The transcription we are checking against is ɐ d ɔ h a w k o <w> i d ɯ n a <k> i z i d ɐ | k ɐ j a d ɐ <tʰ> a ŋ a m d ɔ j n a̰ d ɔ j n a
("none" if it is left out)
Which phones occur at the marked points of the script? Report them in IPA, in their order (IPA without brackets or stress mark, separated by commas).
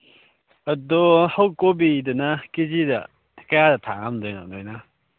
b, k, tʰ